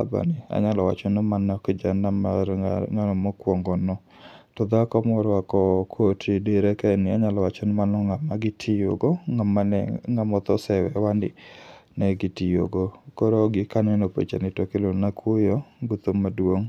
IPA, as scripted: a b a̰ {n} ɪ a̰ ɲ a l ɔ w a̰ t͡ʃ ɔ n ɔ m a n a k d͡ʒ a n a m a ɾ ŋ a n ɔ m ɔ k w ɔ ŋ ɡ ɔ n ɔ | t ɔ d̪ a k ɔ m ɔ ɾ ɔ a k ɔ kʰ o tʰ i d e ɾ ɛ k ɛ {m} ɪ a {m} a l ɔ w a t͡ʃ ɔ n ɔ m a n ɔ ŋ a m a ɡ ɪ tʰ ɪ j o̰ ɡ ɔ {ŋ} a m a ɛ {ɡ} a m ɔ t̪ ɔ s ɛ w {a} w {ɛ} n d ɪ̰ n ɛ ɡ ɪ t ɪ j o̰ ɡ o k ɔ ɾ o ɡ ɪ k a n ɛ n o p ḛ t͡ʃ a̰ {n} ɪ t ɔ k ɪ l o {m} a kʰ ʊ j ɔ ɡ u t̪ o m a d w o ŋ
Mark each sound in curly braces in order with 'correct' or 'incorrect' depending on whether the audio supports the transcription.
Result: correct, incorrect, incorrect, correct, incorrect, incorrect, incorrect, correct, incorrect

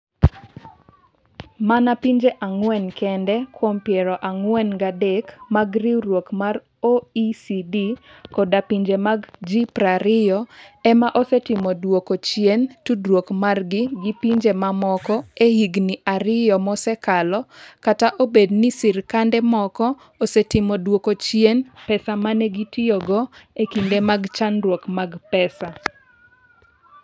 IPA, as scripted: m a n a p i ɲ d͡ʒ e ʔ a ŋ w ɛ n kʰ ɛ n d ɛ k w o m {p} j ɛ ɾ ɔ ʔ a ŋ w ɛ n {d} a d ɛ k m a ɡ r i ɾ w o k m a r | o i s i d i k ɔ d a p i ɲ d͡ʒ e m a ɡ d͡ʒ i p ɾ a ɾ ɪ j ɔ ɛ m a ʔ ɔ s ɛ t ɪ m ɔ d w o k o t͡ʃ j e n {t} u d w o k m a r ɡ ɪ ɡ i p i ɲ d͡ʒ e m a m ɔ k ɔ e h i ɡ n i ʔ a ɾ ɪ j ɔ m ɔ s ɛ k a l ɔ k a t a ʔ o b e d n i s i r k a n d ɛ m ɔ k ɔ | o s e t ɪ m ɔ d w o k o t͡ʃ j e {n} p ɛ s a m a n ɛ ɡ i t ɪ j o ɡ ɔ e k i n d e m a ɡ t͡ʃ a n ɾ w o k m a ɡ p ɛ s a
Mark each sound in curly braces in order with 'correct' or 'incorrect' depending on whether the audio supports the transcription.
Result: correct, incorrect, correct, correct

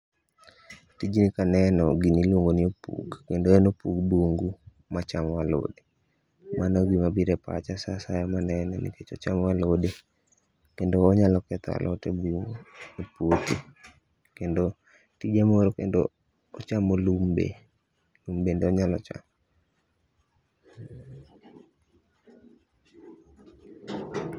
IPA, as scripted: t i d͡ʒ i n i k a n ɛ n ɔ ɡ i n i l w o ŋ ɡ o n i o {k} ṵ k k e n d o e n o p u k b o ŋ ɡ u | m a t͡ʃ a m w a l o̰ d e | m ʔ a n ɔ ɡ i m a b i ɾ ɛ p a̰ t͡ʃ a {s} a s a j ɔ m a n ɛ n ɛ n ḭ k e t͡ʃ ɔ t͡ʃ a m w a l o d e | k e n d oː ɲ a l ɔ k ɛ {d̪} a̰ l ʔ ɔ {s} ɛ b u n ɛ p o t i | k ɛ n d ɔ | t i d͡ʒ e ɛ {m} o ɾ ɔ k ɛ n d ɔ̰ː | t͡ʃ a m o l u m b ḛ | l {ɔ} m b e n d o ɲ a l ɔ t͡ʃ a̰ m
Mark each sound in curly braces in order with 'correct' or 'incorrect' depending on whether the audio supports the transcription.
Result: incorrect, correct, incorrect, incorrect, correct, incorrect

